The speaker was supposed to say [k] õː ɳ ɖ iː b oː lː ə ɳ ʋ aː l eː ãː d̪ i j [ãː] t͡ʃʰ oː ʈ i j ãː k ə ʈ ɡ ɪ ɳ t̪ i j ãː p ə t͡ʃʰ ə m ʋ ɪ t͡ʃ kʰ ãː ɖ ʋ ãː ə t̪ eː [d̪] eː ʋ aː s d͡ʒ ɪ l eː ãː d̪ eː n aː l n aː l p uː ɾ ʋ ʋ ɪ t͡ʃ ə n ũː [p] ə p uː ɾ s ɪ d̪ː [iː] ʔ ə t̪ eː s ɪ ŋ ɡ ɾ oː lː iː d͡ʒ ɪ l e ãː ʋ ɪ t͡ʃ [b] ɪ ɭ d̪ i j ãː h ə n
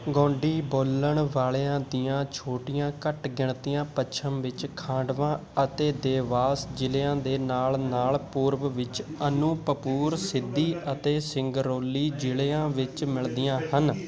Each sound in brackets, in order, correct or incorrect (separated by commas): incorrect, correct, correct, correct, correct, incorrect